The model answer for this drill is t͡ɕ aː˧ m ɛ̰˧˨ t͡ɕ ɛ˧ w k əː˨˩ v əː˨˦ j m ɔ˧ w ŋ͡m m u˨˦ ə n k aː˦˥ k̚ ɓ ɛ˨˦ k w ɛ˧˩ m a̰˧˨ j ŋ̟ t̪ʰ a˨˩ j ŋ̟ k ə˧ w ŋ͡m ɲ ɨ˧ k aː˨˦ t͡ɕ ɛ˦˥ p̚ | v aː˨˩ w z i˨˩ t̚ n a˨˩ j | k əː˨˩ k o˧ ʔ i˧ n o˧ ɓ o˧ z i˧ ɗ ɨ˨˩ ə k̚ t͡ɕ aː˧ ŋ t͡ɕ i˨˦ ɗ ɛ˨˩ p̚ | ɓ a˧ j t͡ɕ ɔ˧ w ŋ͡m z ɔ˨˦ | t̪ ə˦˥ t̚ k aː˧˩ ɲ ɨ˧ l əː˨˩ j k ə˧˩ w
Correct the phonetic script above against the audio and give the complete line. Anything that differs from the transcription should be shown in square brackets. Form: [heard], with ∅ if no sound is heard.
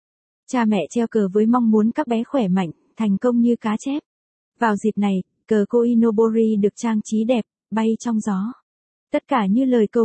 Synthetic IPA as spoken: t͡ɕ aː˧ m ɛ̰˧˨ t͡ɕ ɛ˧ w k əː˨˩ v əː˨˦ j m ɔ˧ w ŋ͡m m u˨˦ ə n k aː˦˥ k̚ ɓ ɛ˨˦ [x] w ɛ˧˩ m a̰˧˨ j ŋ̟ t̪ʰ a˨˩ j ŋ̟ k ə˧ w ŋ͡m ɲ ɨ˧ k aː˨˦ t͡ɕ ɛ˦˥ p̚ | v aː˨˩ w z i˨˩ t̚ n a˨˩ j | k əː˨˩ k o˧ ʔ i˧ n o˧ ɓ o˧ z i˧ ɗ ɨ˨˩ ə k̚ t͡ɕ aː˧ ŋ t͡ɕ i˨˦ ɗ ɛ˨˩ p̚ | ɓ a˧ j t͡ɕ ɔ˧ w ŋ͡m z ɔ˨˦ | t̪ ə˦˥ t̚ k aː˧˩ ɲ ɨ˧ l əː˨˩ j k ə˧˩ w